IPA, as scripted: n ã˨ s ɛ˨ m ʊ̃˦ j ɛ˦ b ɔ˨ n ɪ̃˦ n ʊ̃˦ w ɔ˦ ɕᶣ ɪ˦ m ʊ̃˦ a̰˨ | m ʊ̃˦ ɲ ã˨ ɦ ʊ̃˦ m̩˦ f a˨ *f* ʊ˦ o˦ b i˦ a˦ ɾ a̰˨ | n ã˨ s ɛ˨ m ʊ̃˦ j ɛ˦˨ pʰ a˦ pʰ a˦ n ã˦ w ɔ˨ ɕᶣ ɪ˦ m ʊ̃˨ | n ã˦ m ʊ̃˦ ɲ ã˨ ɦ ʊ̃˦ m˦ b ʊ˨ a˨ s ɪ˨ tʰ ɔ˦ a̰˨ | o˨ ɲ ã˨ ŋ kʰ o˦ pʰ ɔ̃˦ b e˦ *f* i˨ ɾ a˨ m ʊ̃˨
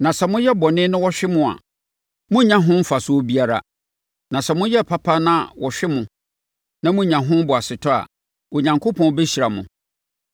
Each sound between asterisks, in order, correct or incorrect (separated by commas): incorrect, incorrect